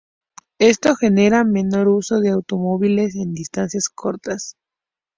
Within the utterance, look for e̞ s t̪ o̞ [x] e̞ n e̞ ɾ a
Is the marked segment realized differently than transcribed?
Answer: no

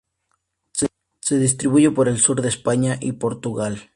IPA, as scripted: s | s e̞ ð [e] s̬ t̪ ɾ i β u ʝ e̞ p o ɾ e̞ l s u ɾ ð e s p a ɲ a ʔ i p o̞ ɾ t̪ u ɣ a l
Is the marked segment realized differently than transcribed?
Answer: yes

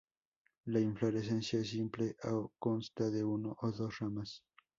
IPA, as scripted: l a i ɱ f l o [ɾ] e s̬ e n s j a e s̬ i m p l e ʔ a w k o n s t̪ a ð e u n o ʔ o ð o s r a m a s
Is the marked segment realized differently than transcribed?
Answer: no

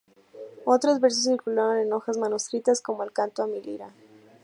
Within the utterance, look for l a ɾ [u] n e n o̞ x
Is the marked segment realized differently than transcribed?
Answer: yes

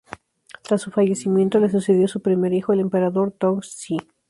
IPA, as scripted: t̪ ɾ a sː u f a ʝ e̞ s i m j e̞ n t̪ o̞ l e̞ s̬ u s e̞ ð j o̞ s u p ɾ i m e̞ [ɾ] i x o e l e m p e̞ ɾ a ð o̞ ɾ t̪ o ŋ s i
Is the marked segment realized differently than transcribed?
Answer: no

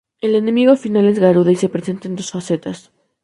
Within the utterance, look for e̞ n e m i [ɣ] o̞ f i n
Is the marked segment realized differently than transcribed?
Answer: no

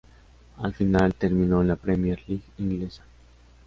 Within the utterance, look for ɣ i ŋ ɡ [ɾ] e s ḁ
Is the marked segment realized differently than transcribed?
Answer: yes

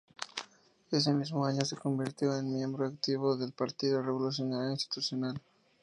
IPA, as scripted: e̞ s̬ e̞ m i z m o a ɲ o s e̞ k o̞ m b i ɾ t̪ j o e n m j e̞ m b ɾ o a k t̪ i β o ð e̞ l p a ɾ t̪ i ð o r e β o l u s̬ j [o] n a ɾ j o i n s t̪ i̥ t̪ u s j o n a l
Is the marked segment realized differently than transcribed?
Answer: no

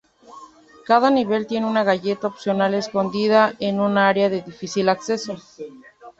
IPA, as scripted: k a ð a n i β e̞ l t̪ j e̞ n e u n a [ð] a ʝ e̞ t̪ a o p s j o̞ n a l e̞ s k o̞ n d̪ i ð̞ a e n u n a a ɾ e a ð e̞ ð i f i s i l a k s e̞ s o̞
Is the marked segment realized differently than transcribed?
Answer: yes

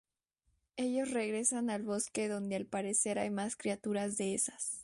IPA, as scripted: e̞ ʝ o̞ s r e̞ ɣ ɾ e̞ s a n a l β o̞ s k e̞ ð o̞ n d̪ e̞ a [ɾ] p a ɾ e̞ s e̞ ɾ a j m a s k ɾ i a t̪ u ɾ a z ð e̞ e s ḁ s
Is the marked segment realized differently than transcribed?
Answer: yes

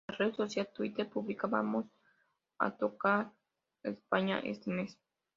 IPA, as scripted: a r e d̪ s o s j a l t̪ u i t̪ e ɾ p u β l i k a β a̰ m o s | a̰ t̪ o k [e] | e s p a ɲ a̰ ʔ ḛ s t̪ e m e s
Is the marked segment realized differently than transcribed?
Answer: yes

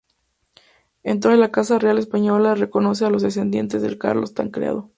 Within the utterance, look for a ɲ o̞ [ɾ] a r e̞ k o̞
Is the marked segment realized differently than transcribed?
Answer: yes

